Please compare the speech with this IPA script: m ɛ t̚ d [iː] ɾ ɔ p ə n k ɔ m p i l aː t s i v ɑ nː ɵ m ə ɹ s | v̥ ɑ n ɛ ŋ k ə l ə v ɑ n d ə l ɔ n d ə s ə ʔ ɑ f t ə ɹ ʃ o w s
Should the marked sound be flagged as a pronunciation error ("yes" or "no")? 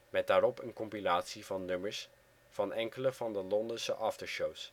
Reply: yes